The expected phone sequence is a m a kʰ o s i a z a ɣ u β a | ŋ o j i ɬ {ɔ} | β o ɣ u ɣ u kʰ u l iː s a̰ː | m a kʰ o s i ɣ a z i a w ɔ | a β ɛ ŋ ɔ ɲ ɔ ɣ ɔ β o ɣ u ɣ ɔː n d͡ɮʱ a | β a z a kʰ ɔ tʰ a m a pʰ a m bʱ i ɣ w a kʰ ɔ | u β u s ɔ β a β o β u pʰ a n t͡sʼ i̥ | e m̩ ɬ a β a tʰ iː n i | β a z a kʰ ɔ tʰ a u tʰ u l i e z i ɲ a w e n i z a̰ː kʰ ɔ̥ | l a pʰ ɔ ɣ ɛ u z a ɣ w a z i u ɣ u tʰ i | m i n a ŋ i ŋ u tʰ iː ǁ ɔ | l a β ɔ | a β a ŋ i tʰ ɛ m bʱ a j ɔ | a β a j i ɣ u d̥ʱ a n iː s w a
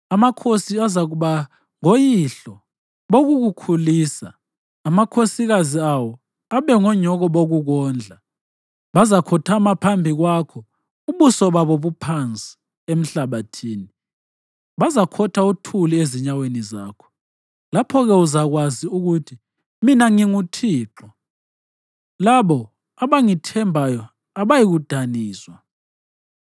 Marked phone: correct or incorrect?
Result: correct